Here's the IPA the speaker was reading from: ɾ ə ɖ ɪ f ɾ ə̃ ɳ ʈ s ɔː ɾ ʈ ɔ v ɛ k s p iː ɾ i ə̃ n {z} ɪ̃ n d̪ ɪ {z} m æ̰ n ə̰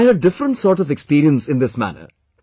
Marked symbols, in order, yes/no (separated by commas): no, no